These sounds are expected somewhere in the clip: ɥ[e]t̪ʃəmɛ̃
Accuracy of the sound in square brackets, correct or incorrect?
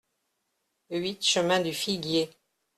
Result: incorrect